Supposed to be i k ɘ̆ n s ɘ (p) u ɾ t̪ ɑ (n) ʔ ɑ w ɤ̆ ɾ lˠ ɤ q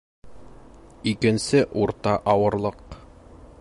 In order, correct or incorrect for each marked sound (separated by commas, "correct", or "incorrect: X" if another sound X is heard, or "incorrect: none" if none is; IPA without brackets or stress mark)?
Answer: incorrect: ʔ, incorrect: none